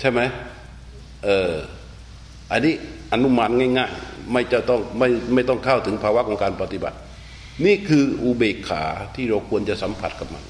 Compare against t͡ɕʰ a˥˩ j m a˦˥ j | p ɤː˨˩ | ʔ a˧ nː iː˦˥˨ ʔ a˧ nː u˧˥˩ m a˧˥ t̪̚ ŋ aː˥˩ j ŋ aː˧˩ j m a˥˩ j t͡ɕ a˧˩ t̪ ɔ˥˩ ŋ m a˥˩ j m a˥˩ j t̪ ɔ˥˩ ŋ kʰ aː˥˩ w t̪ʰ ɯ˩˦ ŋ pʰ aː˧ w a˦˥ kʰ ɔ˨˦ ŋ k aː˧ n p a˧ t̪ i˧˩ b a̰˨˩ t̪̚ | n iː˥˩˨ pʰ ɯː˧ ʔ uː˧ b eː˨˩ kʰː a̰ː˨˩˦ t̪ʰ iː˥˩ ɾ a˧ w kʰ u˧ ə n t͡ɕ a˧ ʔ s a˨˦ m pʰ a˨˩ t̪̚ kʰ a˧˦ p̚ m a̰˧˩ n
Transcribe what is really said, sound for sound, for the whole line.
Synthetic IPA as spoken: t͡ɕʰ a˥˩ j m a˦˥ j | ʔ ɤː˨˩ | ʔ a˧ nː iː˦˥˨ ʔ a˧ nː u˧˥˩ m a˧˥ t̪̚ ŋ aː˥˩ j ŋ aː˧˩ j m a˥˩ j t͡ɕ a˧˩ t̪ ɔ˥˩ ŋ m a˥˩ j m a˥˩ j t̪ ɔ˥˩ ŋ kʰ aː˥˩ w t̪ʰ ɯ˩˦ ŋ pʰ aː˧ w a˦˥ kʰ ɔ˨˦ ŋ k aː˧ n p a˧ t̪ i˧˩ b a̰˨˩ t̪̚ | n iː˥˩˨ kʰ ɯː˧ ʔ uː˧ b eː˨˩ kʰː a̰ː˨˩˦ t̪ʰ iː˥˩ ɾ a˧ w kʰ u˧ ə n t͡ɕ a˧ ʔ s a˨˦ m pʰ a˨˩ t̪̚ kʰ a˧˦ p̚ m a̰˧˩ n